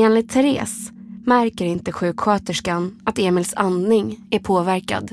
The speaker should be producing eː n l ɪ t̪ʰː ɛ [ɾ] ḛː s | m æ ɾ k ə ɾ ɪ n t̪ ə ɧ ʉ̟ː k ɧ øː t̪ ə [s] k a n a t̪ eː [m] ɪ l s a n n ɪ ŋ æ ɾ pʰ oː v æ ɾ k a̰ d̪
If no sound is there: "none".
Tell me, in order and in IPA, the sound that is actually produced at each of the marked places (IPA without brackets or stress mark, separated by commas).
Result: ɾ, ʂ, m